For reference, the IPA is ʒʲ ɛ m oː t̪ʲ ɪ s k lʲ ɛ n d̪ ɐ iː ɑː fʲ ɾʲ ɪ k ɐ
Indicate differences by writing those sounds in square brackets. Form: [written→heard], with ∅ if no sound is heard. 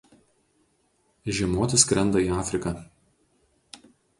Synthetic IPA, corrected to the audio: ʒʲ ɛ m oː t̪ʲ ɪ s k [lʲ→ɾʲ] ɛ n d̪ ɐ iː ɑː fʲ ɾʲ ɪ k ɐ